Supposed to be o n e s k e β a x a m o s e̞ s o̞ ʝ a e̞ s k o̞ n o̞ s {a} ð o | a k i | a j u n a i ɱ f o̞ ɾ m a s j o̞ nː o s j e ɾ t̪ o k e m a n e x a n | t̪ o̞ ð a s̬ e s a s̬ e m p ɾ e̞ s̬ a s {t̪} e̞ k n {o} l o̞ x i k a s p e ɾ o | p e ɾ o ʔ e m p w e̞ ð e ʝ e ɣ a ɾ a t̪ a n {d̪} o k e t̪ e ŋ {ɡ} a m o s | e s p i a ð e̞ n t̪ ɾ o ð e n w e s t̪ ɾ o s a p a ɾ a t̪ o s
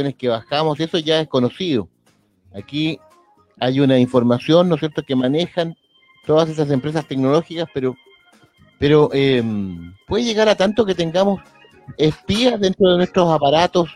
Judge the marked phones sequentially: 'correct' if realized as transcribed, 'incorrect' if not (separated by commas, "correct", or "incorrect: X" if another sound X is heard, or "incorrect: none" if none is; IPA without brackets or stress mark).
incorrect: i, correct, correct, incorrect: t̪, correct